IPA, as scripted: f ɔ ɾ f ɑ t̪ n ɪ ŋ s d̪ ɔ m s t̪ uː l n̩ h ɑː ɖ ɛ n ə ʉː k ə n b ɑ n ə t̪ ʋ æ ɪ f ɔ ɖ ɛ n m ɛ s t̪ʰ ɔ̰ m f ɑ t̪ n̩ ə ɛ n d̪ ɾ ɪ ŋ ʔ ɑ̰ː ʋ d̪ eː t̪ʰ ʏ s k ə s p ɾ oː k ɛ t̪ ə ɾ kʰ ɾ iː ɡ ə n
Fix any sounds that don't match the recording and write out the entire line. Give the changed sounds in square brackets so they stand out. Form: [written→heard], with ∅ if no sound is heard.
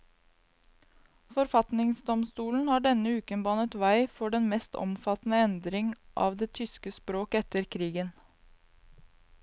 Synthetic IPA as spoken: f ɔ ɾ f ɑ t̪ n ɪ ŋ s d̪ ɔ m s t̪ uː l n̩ h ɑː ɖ ɛ n ə ʉː k ə n b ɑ n ə t̪ ʋ æ ɪ f ɔ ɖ ɛ n m ɛ s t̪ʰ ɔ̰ m f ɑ t̪ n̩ ə ɛ n d̪ ɾ ɪ ŋ ʔ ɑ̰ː ʋ d̪ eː t̪ʰ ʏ s k ə s p ɾ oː k ɛ t̪ ə ɾ kʰ ɾ iː ɡ ə n